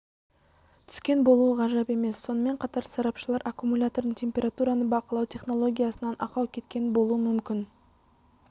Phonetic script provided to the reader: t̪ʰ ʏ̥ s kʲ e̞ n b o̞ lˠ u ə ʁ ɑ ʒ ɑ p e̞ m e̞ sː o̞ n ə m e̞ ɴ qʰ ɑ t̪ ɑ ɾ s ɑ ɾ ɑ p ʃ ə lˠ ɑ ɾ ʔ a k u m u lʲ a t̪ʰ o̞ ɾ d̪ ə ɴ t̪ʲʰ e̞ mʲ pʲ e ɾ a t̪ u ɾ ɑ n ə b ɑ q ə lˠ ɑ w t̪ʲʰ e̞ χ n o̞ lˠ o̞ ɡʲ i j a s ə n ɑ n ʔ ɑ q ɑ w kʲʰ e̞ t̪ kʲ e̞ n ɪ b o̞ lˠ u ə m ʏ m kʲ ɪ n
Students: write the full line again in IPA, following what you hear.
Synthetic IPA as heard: t̪ʰ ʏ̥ s kʲ e̞ n b o̞ lˠ u ə ʁ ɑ ʒ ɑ p e̞ m e̞ sː o̞ n ə m e̞ ɴ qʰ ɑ t̪ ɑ ɾ s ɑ ɾ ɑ p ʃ ə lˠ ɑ ɾ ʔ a k u m u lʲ a t̪ o̞ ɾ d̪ ə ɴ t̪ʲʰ e̞ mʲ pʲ e ɾ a t̪ u ɾ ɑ n ə b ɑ q ə lˠ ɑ w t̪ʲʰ e̞ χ n o̞ lˠ o̞ ɡʲ i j a s ə n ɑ n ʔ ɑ q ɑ w kʲʰ e̞ t̪ kʲ e̞ n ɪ b o̞ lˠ u ə m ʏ m kʲ ɪ n